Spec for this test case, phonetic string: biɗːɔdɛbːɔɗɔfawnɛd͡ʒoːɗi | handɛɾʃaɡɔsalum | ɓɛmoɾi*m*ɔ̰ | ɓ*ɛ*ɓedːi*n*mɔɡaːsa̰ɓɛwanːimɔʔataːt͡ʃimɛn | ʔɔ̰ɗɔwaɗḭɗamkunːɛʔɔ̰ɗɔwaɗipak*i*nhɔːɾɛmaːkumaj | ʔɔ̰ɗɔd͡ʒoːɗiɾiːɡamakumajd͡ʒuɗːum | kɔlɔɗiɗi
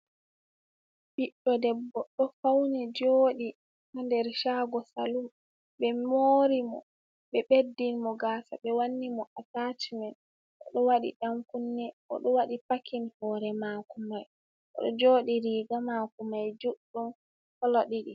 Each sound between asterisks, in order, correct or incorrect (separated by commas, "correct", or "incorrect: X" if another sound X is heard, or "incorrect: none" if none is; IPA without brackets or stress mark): correct, correct, correct, correct